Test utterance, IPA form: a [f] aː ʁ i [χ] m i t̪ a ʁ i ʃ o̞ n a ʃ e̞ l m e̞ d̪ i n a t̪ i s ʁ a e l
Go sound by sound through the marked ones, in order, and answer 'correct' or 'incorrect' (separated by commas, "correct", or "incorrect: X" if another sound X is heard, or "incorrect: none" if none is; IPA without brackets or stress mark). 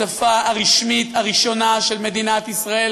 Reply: correct, incorrect: ʃ